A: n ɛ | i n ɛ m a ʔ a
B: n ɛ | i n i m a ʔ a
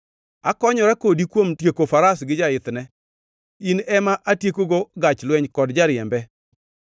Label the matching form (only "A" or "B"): A